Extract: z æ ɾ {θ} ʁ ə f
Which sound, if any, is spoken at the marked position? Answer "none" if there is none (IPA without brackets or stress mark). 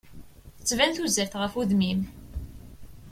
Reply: θ